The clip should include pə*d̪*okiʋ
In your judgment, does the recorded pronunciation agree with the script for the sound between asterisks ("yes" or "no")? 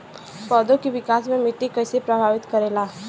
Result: yes